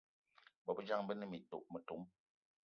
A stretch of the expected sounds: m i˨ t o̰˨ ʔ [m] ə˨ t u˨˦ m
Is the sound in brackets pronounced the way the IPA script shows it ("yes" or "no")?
yes